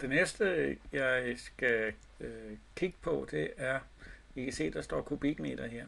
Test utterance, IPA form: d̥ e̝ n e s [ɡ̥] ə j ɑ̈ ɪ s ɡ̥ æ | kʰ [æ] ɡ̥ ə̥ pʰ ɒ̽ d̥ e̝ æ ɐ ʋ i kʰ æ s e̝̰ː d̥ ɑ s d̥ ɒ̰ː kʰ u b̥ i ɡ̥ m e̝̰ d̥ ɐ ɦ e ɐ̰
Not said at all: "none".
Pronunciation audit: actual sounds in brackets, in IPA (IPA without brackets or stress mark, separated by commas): d̥, i